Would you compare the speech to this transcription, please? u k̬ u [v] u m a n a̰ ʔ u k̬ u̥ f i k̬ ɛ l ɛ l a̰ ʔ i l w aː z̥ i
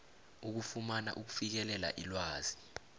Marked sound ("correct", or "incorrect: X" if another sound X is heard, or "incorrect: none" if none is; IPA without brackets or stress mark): incorrect: f